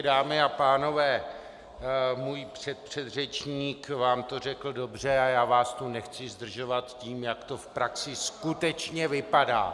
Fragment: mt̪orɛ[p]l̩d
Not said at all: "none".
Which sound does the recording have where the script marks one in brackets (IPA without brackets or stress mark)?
k